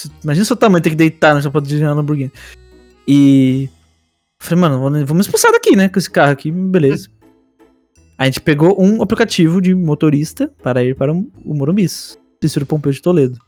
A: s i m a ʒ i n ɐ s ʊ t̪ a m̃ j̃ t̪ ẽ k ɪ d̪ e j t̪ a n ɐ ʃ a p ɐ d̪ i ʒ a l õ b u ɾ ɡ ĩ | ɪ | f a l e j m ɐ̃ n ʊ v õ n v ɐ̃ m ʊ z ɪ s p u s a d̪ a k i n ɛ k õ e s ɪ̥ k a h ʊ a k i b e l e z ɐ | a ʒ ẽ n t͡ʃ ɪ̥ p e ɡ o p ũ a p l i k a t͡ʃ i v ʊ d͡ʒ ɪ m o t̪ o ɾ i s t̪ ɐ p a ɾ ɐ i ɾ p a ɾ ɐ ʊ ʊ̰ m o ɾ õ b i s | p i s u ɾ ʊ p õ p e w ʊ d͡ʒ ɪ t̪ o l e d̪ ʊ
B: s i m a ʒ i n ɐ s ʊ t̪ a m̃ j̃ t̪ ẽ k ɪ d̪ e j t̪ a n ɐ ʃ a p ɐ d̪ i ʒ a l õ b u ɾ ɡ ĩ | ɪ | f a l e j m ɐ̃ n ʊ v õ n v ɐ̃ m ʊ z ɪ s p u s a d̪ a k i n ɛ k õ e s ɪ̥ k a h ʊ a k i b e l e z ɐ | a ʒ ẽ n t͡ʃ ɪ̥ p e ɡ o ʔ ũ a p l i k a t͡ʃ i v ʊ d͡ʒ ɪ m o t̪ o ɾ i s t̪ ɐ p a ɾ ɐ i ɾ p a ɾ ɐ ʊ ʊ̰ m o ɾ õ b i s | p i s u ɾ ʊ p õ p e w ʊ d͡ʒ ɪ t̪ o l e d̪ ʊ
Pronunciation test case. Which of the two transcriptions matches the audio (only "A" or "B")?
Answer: B